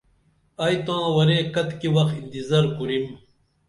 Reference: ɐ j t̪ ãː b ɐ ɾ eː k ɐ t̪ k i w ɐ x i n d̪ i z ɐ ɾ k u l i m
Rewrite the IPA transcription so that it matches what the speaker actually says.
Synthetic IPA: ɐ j t̪ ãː w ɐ ɾ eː k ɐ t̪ k i w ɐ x i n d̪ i z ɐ ɾ k u ɾ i m